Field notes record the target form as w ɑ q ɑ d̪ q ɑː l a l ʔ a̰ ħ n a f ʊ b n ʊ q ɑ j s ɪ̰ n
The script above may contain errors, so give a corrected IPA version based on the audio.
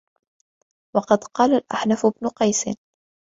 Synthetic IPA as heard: w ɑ q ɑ d̪ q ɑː l a l ʔ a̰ ħ n a f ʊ b n ʊ q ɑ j s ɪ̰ n